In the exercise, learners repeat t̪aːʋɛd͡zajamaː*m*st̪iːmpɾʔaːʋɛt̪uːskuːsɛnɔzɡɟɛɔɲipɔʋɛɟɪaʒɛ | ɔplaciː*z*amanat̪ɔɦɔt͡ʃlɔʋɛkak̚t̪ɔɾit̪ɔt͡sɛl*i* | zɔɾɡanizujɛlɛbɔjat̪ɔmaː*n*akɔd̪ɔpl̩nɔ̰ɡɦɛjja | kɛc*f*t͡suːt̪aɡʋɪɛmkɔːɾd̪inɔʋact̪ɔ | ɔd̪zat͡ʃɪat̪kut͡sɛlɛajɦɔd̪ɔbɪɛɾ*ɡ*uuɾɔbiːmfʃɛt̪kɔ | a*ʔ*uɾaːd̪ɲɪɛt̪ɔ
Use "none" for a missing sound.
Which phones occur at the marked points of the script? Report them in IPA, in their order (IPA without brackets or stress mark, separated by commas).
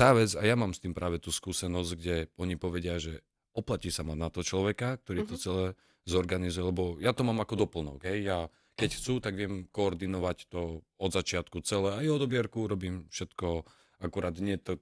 m, s, ɛ, m, x, k, k